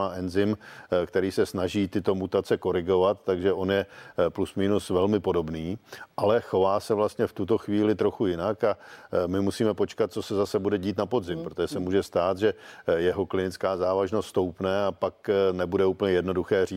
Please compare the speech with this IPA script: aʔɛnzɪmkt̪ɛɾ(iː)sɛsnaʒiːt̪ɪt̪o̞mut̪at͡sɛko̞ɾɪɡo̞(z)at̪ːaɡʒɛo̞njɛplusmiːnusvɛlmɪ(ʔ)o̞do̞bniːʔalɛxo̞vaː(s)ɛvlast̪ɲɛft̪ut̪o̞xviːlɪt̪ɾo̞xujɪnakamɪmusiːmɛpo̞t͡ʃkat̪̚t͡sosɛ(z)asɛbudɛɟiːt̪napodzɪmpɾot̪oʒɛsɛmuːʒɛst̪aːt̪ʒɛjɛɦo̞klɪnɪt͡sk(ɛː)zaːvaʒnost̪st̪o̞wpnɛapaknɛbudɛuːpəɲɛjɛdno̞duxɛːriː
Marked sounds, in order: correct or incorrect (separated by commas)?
correct, incorrect, incorrect, correct, correct, incorrect